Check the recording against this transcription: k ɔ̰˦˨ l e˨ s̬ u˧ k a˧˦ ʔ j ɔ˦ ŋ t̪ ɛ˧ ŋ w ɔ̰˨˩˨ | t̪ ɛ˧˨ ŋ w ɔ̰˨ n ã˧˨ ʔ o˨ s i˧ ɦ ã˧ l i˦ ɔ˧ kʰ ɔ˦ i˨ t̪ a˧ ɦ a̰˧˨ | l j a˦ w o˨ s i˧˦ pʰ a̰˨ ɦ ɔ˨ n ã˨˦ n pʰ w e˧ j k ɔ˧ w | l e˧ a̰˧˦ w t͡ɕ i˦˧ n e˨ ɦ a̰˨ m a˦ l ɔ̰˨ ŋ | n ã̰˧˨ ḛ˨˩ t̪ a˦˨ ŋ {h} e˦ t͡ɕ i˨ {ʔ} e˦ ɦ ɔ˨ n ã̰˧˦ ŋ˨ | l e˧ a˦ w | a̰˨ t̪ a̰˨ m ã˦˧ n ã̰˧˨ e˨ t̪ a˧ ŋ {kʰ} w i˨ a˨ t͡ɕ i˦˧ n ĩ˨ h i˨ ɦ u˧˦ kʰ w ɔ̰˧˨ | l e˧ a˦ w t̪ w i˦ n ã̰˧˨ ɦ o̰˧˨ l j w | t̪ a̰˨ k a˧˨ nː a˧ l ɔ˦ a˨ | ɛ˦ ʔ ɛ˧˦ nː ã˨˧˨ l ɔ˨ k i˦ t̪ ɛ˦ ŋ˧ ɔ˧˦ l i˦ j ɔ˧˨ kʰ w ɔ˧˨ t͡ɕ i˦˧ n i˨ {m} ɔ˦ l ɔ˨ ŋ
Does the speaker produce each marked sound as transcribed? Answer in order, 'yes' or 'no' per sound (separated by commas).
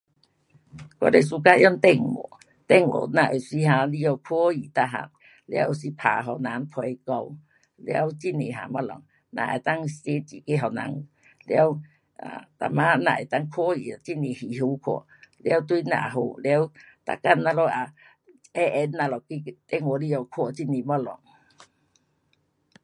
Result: no, no, yes, yes